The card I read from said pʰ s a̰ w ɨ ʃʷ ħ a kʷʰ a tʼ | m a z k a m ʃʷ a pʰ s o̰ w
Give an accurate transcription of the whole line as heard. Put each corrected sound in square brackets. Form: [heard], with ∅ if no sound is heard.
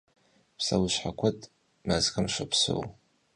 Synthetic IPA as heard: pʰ s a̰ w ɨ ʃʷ ħ a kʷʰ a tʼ | m a z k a m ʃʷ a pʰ s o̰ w

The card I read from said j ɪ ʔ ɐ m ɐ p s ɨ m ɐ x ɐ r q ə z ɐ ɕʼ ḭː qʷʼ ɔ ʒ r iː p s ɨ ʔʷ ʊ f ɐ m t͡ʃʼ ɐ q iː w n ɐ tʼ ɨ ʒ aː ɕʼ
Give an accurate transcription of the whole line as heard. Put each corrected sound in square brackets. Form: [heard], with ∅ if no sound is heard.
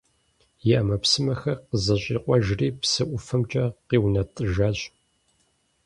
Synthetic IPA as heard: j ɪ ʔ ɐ m ɐ p s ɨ m ɐ x ɐ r q ə z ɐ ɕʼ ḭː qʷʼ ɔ ʒ r iː p s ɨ ʔʷ ʊ f ɐ m t͡ʃʼ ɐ q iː w n ɐ tʼ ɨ ʒ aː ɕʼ

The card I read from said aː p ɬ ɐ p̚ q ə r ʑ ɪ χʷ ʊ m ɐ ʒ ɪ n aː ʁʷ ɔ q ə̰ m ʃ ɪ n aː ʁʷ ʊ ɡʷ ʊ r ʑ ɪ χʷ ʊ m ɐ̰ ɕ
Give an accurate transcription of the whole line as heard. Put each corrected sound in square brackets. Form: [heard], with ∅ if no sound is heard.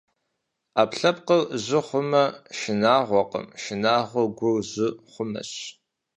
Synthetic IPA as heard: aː p ɬ ɐ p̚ q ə r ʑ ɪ χʷ ʊ m ɐ [ʃ] ɪ n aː ʁʷ ɔ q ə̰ m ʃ ɪ n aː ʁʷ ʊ ɡʷ ʊ r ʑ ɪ χʷ ʊ m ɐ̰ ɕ

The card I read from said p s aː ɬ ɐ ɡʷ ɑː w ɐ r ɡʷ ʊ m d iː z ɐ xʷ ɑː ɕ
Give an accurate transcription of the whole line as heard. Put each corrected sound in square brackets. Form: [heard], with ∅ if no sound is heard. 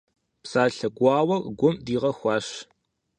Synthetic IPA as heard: p s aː ɬ ɐ ɡʷ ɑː w ɐ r ɡʷ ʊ m d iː [ʁ] ɐ xʷ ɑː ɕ

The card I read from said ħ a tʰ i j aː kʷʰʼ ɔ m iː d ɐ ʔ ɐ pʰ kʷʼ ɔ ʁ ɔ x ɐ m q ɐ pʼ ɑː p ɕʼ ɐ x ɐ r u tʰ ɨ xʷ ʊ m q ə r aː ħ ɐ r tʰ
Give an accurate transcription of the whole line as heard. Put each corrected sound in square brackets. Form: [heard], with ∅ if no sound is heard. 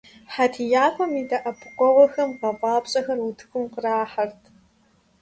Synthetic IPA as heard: ħ a tʰ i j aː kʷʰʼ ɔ m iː d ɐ ʔ ɐ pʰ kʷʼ ɔ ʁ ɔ x ɐ m q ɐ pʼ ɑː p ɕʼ ɐ x ɐ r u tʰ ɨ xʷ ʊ m q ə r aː ħ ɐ r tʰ

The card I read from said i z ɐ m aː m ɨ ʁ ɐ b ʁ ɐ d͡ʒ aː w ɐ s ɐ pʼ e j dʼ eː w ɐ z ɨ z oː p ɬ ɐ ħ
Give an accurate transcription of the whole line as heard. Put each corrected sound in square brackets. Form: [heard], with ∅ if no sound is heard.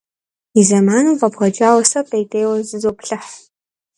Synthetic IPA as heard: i z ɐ m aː [n] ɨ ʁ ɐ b ʁ ɐ d͡ʒ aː w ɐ s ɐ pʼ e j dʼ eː w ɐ z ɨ z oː p ɬ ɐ ħ

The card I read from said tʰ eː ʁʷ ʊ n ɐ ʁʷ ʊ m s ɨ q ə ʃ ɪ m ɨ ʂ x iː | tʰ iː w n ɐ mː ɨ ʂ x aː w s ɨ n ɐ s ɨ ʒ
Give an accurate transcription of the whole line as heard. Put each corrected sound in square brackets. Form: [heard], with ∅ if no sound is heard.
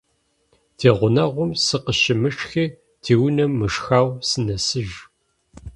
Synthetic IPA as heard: tʰ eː ʁʷ ʊ n ɐ ʁʷ ʊ m s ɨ q ə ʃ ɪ m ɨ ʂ x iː | tʰ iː w n ɐ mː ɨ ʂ x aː w s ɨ n ɐ s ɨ ʒ

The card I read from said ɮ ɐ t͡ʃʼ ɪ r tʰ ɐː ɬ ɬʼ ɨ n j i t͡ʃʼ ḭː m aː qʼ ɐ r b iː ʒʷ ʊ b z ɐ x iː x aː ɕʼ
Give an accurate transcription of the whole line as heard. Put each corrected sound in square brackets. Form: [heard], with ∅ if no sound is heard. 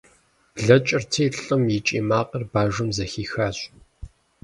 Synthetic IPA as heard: ɮ ɐ t͡ʃʼ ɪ r tʰ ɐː ɬ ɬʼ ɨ [m] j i t͡ʃʼ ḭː m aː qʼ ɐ r b [aː] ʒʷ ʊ [m] z ɐ x iː x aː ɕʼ

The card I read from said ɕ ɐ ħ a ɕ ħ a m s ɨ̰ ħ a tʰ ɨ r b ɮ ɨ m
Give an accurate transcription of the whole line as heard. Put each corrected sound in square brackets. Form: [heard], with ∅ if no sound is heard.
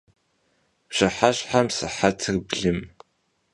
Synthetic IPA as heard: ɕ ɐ ħ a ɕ ħ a m s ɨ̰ ħ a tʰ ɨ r b ɮ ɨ m

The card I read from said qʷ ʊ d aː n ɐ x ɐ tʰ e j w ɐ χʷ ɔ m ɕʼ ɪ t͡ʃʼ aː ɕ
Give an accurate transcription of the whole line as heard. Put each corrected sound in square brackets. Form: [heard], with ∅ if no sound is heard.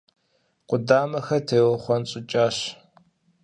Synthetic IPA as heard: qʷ ʊ d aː [m] ɐ x ɐ tʰ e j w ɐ χʷ ɔ [n] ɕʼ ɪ t͡ʃʼ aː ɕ

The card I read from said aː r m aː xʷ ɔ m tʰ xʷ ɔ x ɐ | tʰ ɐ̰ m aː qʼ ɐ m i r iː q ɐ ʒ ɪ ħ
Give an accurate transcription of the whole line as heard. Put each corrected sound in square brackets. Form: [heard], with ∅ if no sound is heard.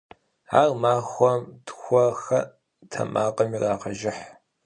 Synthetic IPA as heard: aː r m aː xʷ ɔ m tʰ xʷ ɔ x ɐ | tʰ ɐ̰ m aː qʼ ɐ m i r [aː] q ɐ ʒ ɪ ħ

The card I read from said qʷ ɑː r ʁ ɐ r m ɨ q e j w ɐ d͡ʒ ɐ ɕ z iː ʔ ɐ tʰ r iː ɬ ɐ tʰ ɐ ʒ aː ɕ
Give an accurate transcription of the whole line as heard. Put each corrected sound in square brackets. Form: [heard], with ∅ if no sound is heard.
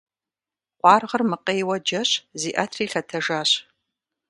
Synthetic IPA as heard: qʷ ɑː r ʁ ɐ r m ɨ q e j w ɐ d͡ʒ ɐ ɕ z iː ʔ ɐ tʰ r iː ɬ ɐ tʰ ɐ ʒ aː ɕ

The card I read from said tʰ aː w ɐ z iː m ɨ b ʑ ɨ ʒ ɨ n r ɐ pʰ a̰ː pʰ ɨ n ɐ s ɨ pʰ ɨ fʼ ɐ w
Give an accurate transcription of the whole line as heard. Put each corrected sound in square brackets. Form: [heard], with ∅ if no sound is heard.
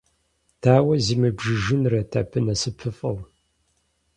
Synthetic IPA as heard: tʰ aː w ɐ z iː m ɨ b [ʒ] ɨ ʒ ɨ n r ɐ [tʰ] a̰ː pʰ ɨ n ɐ s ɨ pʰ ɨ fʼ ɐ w

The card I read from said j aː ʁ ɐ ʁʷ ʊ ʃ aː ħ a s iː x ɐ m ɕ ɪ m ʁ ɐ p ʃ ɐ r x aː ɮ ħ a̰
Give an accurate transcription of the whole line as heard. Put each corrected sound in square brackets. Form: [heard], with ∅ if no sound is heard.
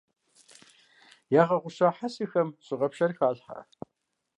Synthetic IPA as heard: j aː ʁ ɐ ʁʷ ʊ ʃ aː ħ a s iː x ɐ m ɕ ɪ [∅] ʁ ɐ p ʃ ɐ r x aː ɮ ħ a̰

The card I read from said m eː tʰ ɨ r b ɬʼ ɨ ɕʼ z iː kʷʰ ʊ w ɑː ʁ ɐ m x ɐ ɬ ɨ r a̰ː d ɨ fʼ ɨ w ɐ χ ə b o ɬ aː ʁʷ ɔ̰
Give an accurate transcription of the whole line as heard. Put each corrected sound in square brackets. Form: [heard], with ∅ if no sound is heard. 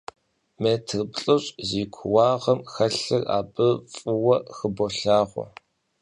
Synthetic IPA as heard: m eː tʰ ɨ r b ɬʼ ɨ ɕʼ z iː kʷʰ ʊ w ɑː ʁ ɐ m x ɐ ɬ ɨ r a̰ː [b] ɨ fʼ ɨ w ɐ [x] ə b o ɬ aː ʁʷ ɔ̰

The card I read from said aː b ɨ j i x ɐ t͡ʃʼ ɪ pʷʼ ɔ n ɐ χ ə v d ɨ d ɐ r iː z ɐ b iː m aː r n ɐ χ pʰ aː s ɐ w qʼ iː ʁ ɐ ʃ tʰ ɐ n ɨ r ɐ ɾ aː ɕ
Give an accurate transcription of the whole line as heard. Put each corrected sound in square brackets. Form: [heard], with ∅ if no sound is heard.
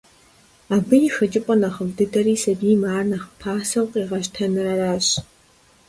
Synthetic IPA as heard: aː b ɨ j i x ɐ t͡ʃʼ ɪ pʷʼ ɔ n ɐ χ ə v d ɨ d ɐ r iː [s] ɐ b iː m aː r n ɐ χ pʰ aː s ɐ w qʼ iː ʁ ɐ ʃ tʰ ɐ n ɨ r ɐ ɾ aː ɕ

